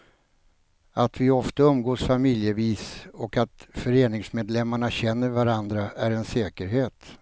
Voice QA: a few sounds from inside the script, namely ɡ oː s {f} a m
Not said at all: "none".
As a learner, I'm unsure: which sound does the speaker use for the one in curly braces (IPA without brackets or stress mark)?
f